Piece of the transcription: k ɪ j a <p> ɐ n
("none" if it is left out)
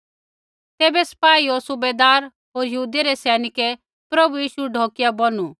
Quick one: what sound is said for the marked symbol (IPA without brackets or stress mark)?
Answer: b